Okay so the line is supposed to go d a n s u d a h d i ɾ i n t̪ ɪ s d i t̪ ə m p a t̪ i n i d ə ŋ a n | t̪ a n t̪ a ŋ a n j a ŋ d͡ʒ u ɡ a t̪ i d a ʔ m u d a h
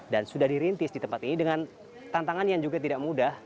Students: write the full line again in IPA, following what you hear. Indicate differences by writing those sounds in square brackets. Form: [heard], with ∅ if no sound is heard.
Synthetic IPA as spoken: d a n s u d a h d i ɾ i n t̪ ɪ s d i t̪ ə m p a t̪ i n i d ə ŋ a n | t̪ a n t̪ a ŋ a n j a ŋ d͡ʒ u ɡ a t̪ i d a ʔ m u d a h